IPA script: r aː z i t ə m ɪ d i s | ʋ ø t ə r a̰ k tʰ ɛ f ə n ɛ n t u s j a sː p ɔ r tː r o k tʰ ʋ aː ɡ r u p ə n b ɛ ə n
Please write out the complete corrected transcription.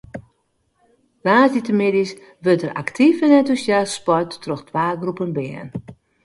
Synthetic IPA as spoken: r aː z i t ə m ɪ d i s | ʋ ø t ə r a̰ k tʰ i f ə n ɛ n t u s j a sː p ɔ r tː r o x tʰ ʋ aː ɡ r u p ə n b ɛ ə n